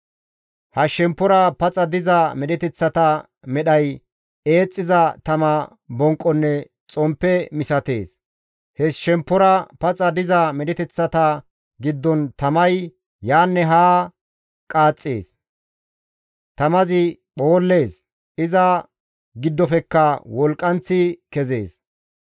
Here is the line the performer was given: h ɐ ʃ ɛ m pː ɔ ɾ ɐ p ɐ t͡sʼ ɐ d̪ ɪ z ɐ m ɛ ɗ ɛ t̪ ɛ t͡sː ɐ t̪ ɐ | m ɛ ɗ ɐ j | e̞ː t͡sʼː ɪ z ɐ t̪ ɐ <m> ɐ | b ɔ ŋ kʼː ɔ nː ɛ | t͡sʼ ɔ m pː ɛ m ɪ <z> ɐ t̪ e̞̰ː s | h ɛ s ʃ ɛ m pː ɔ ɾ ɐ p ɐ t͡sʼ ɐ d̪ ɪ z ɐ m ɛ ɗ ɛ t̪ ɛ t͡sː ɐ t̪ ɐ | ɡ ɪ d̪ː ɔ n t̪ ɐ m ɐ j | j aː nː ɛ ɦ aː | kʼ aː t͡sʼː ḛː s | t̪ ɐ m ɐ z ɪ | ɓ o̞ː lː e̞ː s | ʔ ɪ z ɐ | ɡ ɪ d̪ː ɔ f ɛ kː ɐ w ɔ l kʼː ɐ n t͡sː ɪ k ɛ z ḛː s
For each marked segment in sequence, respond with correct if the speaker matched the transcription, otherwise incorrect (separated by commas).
correct, incorrect